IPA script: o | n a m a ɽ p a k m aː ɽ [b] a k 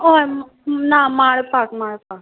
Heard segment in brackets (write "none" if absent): p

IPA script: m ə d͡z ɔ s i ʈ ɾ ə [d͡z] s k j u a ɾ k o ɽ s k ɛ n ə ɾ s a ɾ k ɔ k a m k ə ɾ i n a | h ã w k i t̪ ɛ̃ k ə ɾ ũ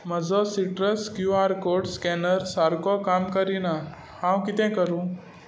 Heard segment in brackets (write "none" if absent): none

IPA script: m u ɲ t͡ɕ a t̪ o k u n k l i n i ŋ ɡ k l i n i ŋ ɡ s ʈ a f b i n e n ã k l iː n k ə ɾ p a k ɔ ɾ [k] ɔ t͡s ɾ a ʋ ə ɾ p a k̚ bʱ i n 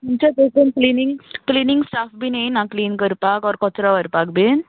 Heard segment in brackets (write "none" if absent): k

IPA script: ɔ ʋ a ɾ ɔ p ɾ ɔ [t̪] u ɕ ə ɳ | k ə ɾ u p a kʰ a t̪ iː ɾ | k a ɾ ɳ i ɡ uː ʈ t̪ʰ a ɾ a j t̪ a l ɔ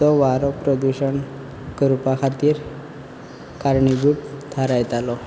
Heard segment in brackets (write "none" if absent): d̪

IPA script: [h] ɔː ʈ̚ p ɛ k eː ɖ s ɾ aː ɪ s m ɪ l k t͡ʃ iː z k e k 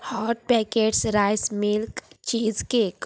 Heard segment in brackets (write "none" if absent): h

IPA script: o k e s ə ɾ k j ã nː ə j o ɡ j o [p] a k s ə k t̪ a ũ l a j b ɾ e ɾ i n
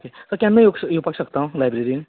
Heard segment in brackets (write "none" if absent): p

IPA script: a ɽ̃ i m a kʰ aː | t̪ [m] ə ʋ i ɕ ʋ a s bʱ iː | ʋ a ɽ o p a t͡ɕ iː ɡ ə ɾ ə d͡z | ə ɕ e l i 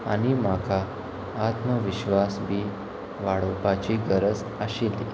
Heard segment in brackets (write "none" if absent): m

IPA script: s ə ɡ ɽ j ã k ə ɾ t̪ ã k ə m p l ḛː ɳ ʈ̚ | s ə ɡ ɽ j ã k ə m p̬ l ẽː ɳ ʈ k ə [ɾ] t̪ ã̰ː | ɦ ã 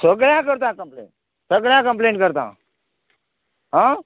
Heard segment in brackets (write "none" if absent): ɾ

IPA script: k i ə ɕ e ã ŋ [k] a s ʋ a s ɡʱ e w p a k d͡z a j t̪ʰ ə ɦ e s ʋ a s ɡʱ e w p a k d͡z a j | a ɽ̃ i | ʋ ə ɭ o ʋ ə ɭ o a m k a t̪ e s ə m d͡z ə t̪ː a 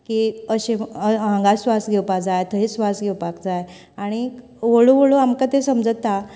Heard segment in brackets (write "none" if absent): ɡ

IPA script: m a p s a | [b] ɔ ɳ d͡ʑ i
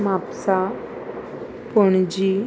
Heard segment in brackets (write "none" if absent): p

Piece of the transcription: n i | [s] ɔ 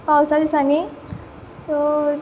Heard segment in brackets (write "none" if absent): s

